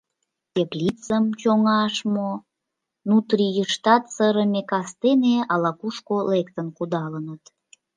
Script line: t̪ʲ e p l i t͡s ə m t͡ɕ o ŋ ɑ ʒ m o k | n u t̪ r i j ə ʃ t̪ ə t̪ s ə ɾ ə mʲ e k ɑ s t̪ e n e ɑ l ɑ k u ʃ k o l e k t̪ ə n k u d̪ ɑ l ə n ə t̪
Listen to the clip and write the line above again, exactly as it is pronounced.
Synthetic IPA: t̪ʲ e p l i t͡s ə m t͡ɕ o ŋ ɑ ʃ m o | n u t̪ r i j ə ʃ t̪ ɑ t̪ s ə ɾ ə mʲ e k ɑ s t̪ e n e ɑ l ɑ k u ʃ k o l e k t̪ ə n k u d̪ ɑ l ə n ə t̪